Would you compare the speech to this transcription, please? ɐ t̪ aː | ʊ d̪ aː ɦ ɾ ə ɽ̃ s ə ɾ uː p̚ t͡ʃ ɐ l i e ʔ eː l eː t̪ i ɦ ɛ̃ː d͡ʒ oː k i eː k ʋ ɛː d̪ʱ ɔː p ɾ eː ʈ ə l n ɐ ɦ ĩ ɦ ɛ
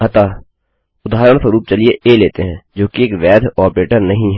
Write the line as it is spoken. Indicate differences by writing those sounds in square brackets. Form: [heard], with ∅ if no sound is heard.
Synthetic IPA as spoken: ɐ t̪ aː | ʊ d̪ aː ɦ ɾ ə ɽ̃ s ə ɾ uː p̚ t͡ʃ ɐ l i e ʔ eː l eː t̪ [e] ɦ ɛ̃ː d͡ʒ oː k i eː k ʋ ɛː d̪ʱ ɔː p ɾ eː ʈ ə [ɾ] n ɐ ɦ ĩ ɦ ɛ